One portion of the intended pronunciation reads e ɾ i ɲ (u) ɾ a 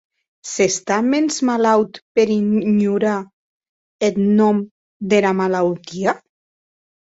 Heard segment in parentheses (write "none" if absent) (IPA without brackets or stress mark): u